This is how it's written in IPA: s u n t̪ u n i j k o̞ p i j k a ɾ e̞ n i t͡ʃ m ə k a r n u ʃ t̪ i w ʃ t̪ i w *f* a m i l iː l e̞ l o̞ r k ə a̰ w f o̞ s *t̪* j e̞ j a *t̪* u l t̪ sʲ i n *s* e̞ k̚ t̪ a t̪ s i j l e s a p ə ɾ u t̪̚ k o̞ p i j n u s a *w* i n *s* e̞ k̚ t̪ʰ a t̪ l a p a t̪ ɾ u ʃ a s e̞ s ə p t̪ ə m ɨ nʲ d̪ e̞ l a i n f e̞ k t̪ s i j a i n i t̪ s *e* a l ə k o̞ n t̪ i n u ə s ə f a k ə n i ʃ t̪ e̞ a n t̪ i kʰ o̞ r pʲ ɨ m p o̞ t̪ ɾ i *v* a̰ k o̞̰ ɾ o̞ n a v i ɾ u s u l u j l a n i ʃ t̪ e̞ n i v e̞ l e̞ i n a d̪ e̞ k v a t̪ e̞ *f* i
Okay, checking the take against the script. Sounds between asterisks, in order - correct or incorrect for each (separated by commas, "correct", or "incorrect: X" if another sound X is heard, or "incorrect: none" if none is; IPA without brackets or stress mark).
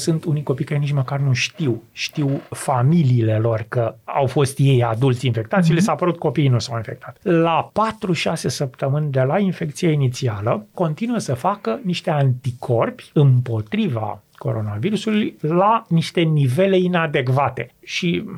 correct, correct, incorrect: d̪, incorrect: f, correct, incorrect: f, incorrect: i, correct, incorrect: ʃ